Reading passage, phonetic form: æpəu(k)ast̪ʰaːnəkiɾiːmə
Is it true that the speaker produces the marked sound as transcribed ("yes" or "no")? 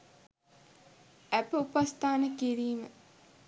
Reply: no